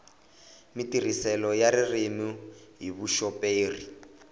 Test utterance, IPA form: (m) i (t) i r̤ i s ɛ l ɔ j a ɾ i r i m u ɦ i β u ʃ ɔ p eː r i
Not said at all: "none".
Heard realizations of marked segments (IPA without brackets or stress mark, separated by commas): m, t